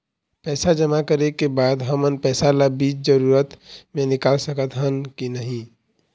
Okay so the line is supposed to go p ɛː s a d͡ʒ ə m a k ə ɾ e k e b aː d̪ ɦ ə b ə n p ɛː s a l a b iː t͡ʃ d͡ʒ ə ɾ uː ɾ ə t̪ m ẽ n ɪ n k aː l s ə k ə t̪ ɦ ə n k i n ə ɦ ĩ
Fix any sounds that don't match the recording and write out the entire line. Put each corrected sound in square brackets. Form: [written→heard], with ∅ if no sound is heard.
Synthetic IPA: p ɛː s a d͡ʒ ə m a k ə ɾ e k e b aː d̪ ɦ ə [b→m] ə n p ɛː s a l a b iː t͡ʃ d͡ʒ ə ɾ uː ɾ ə t̪ m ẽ n ɪ [n→∅] k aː l s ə k ə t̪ ɦ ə n k i n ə ɦ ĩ